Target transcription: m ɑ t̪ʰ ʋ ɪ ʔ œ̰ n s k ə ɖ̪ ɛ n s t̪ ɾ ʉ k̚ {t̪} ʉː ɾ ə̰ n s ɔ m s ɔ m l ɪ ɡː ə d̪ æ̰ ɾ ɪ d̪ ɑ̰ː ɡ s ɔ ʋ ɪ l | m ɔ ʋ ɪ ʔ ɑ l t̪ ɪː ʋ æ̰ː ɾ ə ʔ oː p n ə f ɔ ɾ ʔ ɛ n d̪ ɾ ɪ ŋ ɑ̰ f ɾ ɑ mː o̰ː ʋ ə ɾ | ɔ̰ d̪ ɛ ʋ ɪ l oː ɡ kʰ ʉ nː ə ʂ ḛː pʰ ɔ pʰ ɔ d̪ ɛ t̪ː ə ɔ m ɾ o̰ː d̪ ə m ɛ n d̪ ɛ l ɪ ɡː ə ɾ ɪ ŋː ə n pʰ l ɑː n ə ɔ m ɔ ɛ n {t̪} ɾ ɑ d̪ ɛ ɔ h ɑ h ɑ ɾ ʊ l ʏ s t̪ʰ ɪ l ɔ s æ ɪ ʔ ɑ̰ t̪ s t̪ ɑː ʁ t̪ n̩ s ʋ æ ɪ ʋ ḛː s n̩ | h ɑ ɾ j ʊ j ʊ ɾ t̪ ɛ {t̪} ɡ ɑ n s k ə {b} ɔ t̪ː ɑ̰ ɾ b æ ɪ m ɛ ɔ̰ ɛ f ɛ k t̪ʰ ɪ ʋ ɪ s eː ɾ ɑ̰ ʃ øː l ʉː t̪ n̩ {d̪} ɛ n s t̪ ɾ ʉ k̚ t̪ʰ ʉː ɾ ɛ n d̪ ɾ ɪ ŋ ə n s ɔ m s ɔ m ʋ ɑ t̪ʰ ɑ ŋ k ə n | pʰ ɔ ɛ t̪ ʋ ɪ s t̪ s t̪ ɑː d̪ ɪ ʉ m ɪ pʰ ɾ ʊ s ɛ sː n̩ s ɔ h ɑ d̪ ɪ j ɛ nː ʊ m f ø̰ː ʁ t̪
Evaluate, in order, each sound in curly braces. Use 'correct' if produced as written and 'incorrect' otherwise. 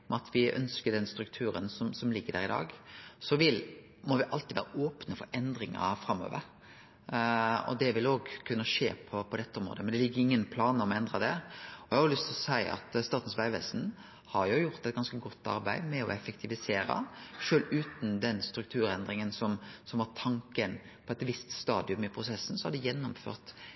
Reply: incorrect, incorrect, correct, incorrect, correct

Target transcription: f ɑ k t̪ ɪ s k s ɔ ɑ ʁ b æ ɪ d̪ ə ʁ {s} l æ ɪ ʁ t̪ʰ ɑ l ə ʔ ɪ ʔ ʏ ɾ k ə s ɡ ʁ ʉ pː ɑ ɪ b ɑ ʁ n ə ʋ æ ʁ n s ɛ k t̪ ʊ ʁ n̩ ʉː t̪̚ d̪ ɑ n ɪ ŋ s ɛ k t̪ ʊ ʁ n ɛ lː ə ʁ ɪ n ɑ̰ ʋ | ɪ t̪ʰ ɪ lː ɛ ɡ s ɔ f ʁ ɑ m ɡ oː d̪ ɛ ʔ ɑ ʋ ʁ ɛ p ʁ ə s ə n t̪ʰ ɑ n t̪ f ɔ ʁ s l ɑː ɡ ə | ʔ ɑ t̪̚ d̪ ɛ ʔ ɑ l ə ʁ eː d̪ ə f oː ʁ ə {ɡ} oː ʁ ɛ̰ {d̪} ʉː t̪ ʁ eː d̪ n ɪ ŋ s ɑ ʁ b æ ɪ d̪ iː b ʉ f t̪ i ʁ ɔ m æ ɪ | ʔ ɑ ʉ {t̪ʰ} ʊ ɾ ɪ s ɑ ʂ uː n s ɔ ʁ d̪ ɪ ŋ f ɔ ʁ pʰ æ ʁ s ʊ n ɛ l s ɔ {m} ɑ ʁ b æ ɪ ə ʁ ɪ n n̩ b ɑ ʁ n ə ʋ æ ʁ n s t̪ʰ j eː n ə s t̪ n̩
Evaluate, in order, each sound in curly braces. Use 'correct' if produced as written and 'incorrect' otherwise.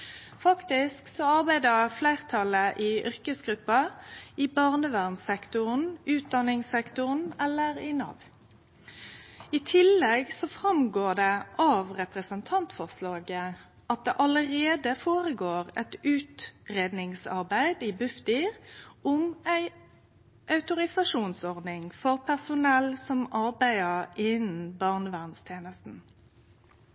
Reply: incorrect, correct, incorrect, incorrect, correct

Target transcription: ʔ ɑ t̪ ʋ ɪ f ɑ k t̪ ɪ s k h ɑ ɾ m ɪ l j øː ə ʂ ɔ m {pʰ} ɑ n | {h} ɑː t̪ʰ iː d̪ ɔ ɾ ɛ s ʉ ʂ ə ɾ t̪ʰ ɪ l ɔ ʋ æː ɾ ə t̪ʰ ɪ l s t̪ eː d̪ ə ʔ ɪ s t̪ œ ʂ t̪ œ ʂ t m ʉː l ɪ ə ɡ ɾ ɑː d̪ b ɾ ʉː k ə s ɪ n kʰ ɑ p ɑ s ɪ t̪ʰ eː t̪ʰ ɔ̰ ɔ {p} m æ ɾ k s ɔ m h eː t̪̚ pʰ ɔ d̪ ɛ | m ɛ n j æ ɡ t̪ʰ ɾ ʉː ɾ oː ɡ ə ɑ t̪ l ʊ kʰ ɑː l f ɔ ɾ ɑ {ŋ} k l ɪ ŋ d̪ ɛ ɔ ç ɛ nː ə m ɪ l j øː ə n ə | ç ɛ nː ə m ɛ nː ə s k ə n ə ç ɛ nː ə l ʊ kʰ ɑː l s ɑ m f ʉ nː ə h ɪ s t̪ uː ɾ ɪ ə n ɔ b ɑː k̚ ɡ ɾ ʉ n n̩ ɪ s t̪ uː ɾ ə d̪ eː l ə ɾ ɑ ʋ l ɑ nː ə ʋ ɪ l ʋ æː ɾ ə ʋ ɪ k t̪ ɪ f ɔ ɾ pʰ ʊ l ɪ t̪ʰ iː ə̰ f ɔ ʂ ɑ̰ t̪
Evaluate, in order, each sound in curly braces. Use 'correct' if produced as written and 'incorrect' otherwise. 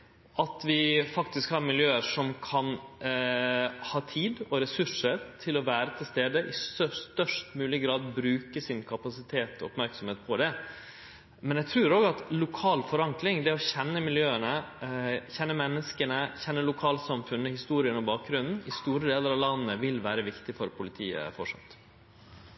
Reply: incorrect, correct, correct, correct

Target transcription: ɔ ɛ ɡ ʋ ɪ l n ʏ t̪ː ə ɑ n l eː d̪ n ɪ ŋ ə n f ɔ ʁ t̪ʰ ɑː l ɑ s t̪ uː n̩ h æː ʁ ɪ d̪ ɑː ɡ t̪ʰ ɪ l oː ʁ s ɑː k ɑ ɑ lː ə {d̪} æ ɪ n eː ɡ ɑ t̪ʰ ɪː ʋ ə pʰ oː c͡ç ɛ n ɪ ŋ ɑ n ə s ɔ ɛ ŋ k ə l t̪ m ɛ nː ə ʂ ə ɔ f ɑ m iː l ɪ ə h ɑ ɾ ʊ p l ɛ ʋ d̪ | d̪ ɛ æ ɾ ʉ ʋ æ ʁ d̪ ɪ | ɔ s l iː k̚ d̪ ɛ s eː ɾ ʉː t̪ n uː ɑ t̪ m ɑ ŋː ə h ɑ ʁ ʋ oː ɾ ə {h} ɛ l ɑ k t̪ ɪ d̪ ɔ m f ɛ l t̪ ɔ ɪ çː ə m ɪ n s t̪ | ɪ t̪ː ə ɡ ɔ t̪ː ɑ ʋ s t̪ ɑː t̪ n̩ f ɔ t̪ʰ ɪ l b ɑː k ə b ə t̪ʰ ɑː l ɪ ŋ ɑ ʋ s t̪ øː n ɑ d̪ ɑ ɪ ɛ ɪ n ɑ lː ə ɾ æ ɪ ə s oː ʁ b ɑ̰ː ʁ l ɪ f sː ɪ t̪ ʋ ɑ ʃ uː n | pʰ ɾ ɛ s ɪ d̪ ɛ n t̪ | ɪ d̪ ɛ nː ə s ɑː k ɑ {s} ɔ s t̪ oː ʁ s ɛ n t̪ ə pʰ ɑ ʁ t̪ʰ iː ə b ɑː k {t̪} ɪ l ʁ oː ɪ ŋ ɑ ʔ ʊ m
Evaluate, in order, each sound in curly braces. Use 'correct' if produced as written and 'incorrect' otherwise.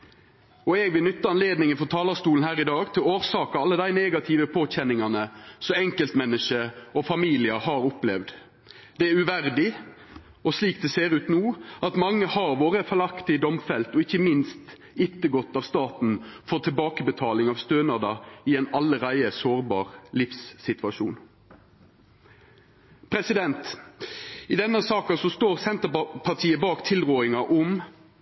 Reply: correct, incorrect, correct, incorrect

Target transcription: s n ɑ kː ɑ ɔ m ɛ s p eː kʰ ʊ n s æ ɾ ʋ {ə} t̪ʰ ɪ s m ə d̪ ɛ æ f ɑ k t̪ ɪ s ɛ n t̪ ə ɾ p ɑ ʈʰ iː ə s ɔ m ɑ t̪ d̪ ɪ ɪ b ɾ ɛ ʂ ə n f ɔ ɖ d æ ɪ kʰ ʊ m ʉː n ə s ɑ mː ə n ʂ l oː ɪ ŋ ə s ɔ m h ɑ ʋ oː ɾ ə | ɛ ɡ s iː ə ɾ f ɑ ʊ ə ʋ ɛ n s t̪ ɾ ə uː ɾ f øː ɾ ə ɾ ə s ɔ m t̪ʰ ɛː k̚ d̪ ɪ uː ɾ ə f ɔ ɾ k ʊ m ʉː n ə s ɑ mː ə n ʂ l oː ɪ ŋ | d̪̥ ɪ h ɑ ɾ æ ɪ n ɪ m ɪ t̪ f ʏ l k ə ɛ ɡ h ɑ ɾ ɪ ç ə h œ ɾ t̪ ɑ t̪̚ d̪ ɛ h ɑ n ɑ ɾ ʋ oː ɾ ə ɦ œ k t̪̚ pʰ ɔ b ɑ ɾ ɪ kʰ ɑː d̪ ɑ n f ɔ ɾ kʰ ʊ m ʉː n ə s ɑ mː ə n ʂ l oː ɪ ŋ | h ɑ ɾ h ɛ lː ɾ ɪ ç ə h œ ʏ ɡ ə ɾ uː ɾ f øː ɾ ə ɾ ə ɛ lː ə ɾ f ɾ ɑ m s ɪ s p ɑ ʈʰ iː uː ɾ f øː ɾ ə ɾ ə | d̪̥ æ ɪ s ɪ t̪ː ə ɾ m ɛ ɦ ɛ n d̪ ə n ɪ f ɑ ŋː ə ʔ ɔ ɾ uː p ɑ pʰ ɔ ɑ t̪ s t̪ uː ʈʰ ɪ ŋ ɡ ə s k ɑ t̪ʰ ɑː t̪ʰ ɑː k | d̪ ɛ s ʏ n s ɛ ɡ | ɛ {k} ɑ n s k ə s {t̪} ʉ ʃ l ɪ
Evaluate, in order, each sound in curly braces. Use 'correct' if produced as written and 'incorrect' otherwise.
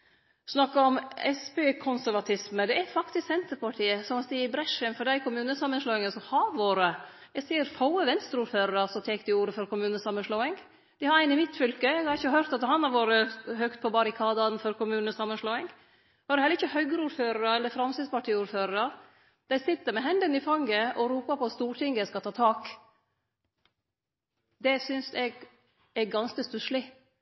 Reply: incorrect, incorrect, correct

